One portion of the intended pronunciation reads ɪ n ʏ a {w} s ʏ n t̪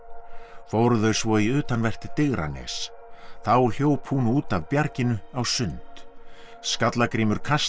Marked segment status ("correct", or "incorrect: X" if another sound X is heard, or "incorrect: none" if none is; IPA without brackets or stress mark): correct